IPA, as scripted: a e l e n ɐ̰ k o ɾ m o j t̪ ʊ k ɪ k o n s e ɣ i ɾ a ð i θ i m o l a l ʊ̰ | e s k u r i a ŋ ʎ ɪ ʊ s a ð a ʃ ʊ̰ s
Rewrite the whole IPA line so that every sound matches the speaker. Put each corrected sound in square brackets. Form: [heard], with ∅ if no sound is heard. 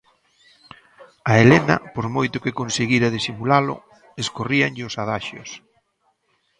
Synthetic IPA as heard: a e l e n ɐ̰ [p] o ɾ m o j t̪ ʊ k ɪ k o n s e ɣ i ɾ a ð i [s] i m [u] l a l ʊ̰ | e s k [o] r i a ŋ ʎ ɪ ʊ s a ð a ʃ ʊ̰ s